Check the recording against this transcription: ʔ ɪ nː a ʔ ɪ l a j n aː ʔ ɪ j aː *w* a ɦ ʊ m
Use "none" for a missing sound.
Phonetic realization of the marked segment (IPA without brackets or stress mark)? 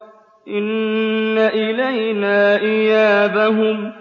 b